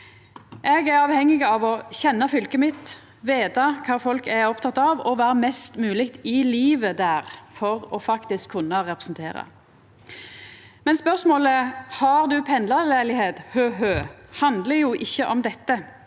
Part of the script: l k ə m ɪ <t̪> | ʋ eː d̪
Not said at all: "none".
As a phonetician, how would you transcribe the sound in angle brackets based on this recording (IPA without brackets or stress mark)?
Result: t̪